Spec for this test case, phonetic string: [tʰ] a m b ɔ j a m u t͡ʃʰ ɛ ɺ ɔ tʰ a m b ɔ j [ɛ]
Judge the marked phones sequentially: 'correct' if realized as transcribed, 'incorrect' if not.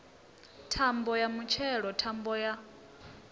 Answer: correct, incorrect

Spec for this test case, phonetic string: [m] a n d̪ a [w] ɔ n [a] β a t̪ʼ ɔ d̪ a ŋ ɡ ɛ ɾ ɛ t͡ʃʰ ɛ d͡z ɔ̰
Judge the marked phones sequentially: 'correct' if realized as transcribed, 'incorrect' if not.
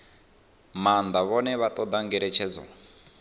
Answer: correct, incorrect, incorrect

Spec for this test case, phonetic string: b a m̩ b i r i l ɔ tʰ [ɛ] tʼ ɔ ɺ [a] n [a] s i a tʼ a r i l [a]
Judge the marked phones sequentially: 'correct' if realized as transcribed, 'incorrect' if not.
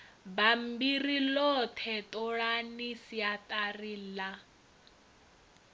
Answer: correct, correct, incorrect, correct

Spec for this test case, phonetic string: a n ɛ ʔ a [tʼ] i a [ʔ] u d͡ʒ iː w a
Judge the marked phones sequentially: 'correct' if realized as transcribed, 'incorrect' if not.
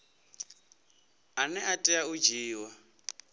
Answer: correct, incorrect

